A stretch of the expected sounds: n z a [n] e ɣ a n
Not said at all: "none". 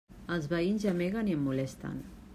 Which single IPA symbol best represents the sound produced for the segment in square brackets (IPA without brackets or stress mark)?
m